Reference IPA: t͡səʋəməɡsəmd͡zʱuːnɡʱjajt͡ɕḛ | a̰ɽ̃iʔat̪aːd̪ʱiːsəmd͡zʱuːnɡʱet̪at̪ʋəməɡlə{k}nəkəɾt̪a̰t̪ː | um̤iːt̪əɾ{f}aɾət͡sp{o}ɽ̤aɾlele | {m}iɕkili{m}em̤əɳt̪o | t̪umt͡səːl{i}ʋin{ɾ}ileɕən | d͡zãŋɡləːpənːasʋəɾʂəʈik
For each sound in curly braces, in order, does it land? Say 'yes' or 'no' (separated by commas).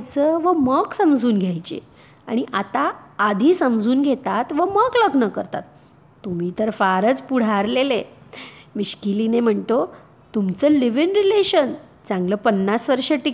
no, yes, no, yes, no, yes, yes